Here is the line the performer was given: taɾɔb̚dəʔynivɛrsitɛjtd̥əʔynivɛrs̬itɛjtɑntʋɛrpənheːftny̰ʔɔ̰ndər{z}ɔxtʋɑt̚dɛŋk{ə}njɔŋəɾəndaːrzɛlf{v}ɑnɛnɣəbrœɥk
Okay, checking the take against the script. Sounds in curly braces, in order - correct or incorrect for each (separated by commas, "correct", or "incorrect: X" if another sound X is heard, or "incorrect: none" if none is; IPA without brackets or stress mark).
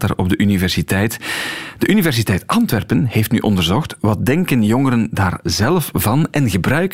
correct, correct, correct